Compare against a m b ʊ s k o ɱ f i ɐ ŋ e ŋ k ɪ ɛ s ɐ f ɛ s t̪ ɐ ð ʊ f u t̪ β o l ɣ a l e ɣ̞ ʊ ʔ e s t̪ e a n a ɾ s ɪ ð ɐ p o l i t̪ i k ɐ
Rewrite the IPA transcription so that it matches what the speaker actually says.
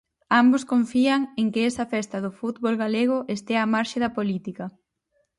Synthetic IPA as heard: a m b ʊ s k o ɱ f i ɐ ŋ e ŋ k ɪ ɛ s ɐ f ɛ s t̪ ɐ ð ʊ f u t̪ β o l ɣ a l e ɣ̞ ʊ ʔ e s t̪ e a m a ɾ ʃ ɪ ð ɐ p o l i t̪ i k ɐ